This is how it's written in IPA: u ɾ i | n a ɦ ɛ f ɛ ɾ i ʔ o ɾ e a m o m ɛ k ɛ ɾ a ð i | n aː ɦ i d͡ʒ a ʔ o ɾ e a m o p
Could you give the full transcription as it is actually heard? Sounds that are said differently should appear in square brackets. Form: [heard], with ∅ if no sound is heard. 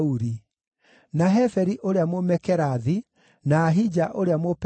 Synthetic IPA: u ɾ i | n a ɦ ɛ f ɛ ɾ i ʔ o ɾ e a m o m ɛ k ɛ ɾ a ð i | n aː ɦ i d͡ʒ a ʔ o ɾ e a m o p